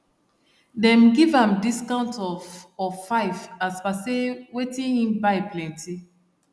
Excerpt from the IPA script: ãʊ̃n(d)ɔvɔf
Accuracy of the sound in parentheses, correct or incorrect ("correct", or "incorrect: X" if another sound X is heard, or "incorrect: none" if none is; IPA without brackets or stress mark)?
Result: incorrect: t